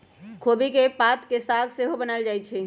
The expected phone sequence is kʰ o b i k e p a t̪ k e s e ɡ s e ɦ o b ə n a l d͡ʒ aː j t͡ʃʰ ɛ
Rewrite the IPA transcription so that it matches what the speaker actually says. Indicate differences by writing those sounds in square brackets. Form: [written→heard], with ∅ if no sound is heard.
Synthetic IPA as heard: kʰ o b i k e p a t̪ k e s [e→a] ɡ s e ɦ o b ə n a l d͡ʒ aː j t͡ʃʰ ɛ